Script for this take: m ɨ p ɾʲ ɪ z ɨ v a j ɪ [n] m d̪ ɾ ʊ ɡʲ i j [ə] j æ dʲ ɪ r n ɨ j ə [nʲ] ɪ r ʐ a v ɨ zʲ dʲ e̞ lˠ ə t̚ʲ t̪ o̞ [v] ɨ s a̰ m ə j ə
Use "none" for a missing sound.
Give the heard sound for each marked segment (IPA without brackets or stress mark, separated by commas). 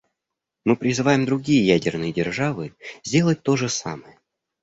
none, ə, dʲ, ʐ